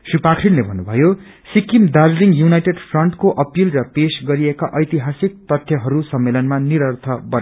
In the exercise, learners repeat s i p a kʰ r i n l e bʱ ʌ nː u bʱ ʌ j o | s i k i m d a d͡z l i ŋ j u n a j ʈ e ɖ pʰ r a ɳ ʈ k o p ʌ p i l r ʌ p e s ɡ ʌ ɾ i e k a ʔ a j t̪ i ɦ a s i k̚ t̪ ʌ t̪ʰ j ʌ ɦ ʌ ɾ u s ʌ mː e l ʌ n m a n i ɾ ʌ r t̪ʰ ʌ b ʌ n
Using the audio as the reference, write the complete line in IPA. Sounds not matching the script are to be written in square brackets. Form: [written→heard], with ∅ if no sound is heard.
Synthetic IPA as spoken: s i p a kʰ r i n l e bʱ ʌ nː u bʱ ʌ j o | s i k i m d a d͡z l i ŋ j u n a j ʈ e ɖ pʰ r [a→ʌ] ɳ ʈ k o [p→ʔ] ʌ p i l r ʌ p e s ɡ ʌ ɾ i e k a ʔ [a→ʌ] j t̪ i ɦ a s i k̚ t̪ ʌ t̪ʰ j ʌ ɦ ʌ ɾ u s ʌ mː e l ʌ n m a n i ɾ ʌ r t̪ʰ ʌ b ʌ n